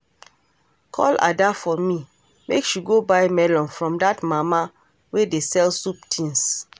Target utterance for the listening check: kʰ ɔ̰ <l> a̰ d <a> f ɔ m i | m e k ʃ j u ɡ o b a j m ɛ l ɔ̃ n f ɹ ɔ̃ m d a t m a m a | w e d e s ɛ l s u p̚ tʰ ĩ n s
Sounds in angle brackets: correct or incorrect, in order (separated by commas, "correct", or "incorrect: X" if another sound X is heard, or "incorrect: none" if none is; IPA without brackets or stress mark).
correct, correct